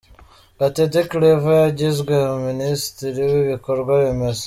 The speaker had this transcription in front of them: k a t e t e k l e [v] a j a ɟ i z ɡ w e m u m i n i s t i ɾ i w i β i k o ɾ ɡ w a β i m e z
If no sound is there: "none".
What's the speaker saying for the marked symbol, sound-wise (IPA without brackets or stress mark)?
v